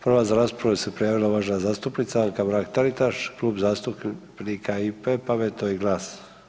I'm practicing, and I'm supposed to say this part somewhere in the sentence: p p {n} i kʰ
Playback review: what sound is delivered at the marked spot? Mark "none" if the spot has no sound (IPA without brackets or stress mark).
n